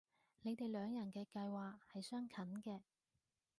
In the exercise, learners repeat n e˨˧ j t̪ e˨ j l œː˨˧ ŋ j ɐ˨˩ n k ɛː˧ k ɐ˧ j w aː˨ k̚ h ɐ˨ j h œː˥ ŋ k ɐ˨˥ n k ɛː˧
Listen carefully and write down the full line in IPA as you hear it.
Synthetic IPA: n e˨˧ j t̪ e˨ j l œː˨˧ ŋ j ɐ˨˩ n k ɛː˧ k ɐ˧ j w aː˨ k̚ h ɐ˨ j s œː˥ ŋ kʰ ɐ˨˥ n k ɛː˧